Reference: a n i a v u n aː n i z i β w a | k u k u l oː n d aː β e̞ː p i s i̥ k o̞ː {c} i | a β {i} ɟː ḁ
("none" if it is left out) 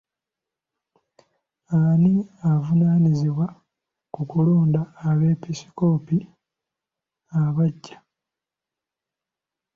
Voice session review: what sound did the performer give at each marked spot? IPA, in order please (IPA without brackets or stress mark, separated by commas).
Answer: p, a